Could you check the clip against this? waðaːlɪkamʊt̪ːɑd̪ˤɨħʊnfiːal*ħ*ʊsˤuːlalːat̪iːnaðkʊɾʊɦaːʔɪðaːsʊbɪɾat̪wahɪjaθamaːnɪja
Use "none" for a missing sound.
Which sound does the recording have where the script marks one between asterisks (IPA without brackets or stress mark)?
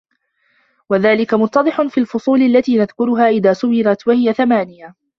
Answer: f